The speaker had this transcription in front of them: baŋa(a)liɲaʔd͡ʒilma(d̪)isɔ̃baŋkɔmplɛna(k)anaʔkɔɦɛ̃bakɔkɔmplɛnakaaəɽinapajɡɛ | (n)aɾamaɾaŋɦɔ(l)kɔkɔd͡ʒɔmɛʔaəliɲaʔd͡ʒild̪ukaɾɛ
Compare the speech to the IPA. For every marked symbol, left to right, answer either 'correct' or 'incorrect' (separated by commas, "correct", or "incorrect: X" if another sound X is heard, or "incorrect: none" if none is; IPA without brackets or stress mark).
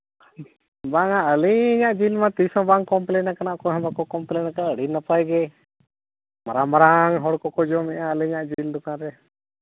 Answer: incorrect: ə, incorrect: t̪, correct, incorrect: m, incorrect: ɽ